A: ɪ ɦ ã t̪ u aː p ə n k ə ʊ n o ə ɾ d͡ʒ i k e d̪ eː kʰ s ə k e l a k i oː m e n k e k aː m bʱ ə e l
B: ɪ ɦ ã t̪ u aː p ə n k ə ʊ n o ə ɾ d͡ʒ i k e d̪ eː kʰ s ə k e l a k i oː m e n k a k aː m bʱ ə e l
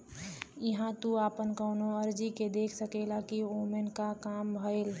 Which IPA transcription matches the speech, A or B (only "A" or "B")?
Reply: B